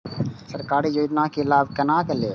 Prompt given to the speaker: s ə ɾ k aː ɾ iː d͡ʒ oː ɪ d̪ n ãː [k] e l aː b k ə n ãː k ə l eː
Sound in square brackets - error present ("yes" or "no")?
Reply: no